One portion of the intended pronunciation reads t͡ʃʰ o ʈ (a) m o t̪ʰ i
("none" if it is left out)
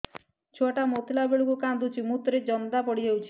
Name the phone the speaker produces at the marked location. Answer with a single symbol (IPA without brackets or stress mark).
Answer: a